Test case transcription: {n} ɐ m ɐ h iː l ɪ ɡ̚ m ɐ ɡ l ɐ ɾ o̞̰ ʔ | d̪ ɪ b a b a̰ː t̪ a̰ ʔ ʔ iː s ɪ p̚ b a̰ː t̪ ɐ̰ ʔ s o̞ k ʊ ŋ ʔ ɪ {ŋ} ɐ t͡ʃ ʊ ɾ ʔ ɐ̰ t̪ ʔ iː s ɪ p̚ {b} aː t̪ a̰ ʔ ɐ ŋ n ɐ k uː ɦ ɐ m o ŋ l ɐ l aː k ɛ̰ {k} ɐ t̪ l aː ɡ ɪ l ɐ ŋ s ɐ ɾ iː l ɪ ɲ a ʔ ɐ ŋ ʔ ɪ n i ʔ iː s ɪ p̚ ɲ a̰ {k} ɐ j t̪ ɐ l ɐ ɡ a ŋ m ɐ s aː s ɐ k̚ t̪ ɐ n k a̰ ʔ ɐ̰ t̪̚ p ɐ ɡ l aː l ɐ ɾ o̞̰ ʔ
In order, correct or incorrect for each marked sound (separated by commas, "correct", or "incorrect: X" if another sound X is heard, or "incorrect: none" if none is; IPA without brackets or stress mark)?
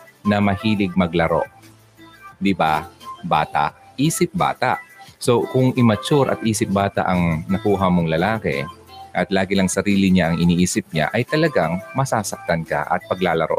correct, incorrect: m, correct, incorrect: ʔ, incorrect: ʔ